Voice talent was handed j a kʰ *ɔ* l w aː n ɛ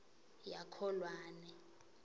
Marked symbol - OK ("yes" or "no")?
yes